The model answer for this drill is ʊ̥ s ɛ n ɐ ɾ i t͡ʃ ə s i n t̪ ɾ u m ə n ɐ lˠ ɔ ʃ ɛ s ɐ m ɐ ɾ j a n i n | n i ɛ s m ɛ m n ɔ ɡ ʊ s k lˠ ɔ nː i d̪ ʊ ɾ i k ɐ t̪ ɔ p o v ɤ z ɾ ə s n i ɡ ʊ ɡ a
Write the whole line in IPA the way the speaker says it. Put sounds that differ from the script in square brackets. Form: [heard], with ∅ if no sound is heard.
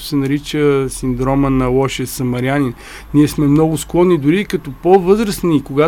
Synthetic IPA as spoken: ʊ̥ s ɛ n ɐ ɾ i t͡ʃ ə s i n [d̪] ɾ [ɔ] m ə n ɐ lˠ ɔ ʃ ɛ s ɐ m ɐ ɾ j a n i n | n i ɛ s m ɛ m n ɔ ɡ ʊ s k lˠ ɔ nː i d̪ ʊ ɾ i k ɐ t̪ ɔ p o v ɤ z ɾ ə s n i [k] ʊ ɡ a